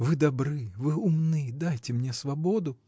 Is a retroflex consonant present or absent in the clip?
absent